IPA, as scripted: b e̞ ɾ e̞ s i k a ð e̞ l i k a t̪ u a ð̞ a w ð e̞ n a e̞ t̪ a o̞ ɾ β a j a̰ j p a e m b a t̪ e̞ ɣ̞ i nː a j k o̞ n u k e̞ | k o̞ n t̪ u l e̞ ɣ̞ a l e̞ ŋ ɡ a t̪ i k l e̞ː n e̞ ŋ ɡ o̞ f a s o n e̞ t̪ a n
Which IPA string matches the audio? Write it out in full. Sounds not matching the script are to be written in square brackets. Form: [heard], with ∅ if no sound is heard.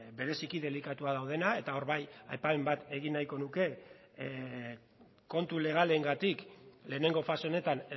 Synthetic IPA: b e̞ ɾ e̞ s i k [i] ð e̞ l i k a t̪ u a ð̞ a w ð e̞ n a e̞ t̪ a o̞ ɾ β a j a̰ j p a e m b a t̪ e̞ ɣ̞ i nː a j k o̞ n u k e̞ | k o̞ n t̪ u l e̞ ɣ̞ a l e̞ ŋ ɡ a t̪ i k l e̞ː n e̞ ŋ ɡ o̞ f a s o n e̞ t̪ a n